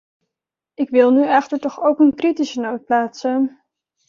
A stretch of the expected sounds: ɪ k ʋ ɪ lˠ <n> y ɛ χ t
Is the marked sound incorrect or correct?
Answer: correct